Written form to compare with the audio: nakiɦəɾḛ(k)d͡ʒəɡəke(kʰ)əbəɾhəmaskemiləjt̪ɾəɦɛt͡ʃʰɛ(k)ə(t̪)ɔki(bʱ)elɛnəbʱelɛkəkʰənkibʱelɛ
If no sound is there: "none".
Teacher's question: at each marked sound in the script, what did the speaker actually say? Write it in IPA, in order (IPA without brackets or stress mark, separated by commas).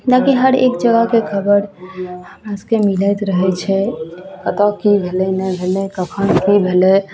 k, kʰ, k, t̪, bʱ